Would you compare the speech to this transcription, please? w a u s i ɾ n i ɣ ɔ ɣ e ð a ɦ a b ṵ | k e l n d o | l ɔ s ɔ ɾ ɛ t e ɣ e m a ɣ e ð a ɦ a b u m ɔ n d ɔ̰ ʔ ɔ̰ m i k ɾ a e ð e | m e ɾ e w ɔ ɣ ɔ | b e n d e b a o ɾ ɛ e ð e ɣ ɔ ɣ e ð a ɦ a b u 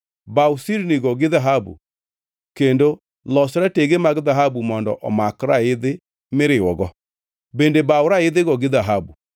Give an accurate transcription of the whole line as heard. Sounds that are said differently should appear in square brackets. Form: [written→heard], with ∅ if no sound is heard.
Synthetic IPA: [w→b] a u s i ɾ n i ɣ ɔ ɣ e ð a ɦ a b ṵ | k e [l→∅] n d o | l ɔ s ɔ ɾ ɛ t e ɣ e m a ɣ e ð a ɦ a b u m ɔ n d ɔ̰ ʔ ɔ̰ m [i→a] k ɾ a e ð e | m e ɾ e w ɔ ɣ ɔ | b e n d e b a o ɾ [ɛ→a] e ð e ɣ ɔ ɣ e ð a ɦ a b u